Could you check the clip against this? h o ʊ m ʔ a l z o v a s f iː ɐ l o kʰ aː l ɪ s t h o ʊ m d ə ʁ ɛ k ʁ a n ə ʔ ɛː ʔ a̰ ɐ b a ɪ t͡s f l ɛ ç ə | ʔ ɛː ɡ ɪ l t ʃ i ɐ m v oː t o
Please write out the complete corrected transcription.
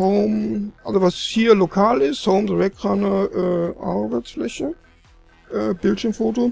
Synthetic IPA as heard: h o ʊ m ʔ a l z o v a s h iː ɐ l o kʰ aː l ɪ s t h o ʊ m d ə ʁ ɛ k ʁ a n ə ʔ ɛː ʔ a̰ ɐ b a ɪ t͡s f l ɛ ç ə | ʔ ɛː b ɪ l t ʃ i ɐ m f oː t o